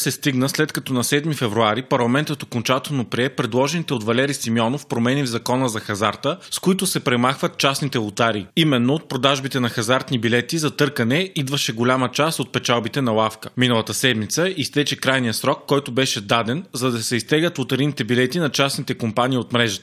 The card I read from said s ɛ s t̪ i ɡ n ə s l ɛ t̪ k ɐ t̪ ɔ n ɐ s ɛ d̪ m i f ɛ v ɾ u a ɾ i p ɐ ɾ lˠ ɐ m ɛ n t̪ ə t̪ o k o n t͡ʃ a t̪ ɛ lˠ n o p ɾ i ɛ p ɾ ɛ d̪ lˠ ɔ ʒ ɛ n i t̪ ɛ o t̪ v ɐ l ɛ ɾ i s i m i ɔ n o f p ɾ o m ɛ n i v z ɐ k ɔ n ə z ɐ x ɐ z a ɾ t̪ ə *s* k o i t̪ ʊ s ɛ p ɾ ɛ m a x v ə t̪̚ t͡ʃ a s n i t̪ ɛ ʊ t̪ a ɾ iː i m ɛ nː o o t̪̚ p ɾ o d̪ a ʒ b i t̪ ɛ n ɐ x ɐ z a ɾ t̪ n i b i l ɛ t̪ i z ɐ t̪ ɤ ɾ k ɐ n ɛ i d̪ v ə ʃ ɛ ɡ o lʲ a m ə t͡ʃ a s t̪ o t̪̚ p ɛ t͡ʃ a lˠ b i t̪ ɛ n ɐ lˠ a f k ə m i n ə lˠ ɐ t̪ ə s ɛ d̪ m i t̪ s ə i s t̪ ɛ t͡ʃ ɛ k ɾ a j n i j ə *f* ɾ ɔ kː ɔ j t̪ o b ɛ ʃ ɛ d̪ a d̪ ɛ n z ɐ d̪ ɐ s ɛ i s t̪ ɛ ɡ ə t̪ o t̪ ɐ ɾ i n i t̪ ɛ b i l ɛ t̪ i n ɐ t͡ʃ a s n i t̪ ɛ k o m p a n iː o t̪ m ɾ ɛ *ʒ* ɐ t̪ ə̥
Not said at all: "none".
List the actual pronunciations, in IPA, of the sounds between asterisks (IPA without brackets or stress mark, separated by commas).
s, s, ʒ